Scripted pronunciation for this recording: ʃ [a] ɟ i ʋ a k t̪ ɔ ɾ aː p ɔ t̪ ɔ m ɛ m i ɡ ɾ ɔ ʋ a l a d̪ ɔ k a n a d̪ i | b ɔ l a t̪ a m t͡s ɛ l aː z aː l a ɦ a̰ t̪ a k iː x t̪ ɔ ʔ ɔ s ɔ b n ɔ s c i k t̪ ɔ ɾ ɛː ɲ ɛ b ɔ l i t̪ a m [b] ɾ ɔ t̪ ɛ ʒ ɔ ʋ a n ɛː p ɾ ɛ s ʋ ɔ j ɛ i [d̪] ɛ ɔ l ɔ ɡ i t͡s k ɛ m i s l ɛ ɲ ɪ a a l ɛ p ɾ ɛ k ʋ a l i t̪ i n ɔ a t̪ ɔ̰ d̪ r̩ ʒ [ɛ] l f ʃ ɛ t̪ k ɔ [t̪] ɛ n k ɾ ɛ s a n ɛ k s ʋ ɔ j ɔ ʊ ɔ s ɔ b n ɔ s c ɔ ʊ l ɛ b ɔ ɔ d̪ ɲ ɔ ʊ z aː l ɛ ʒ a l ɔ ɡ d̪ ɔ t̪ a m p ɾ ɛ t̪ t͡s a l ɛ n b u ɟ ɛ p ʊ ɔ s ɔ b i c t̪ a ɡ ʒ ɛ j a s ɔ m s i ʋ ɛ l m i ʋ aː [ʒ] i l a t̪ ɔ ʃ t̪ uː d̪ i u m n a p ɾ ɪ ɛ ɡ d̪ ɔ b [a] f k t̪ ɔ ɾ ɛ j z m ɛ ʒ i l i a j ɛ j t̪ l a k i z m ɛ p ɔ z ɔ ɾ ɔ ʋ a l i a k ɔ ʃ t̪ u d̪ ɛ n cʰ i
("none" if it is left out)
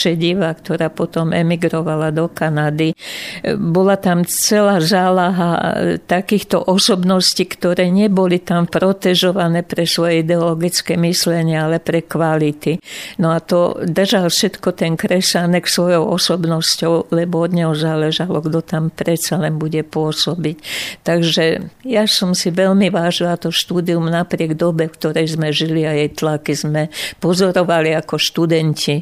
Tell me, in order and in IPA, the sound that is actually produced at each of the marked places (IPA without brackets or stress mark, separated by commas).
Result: ɛ, p, d̪, a, t̪, ʒ, ɛ